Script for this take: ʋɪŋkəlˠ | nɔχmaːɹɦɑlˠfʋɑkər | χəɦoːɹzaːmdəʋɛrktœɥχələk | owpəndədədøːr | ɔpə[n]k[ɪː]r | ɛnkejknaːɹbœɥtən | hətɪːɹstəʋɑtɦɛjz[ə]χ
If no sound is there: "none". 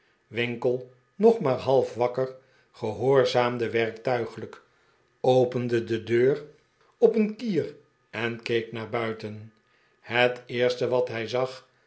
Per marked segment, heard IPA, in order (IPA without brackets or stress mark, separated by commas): n, iː, ɑ